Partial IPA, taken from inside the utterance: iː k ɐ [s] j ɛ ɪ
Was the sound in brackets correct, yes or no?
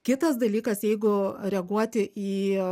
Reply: yes